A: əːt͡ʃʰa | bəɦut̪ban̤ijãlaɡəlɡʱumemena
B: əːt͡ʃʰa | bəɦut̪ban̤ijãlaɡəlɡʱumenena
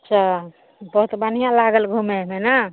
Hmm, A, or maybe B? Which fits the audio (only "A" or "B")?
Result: A